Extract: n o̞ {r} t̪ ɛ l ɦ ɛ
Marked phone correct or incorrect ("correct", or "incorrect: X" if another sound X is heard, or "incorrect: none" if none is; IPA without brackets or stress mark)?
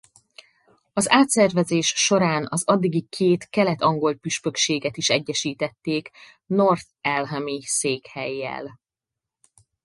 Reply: correct